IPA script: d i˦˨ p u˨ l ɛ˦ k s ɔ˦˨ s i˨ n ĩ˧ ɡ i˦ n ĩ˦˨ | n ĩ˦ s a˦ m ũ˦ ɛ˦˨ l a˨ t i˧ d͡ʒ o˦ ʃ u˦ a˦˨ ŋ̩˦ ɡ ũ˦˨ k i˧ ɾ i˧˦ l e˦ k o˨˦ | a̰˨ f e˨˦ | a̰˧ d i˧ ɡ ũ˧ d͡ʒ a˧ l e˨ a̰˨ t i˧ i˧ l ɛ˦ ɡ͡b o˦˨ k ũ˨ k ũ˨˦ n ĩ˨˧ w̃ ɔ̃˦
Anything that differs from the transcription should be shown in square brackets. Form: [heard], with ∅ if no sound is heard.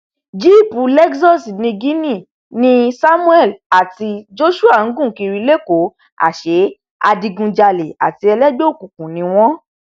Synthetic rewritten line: [d͡ʒ] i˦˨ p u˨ l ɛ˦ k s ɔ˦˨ s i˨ n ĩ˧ ɡ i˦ n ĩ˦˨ | n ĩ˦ s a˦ m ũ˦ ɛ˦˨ l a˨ t i˧ d͡ʒ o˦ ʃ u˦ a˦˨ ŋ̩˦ ɡ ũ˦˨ k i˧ ɾ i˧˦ l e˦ k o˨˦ | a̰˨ [ʃ] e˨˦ | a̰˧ d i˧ ɡ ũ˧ d͡ʒ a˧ l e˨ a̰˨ t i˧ [ɛ˧] l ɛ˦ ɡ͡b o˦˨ k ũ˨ k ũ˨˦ n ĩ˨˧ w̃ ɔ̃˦